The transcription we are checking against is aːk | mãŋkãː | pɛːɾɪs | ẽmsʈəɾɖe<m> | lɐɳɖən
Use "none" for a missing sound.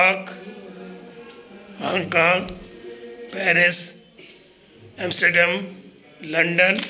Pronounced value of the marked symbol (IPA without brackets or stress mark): m